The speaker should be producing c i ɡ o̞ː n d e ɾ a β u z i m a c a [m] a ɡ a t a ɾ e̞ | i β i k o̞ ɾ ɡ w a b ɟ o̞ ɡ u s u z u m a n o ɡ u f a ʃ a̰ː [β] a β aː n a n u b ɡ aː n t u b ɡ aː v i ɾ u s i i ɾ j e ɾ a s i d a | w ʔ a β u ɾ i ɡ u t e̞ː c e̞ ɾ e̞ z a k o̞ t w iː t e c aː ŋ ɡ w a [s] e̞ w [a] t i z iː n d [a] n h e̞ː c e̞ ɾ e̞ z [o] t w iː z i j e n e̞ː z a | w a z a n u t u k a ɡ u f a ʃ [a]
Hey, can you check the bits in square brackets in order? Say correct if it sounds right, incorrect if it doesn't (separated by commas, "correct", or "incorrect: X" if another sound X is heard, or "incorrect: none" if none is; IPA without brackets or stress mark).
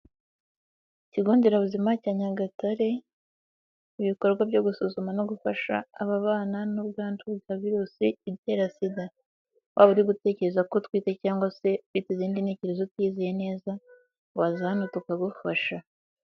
incorrect: ɲ, correct, correct, incorrect: i, incorrect: i, correct, correct